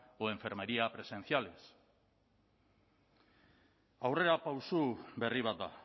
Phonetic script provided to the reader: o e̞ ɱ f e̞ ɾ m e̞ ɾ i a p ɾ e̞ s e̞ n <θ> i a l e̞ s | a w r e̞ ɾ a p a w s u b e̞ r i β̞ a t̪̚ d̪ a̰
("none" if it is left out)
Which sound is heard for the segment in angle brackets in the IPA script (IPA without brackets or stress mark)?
θ